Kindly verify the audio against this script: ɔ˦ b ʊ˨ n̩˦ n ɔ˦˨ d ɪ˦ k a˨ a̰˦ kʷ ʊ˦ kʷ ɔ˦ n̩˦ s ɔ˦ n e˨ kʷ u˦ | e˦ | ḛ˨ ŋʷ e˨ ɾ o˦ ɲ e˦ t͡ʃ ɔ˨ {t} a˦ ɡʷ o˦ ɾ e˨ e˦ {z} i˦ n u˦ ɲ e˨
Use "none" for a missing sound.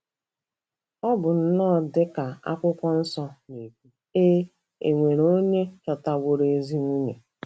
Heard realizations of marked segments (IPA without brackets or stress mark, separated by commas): t, z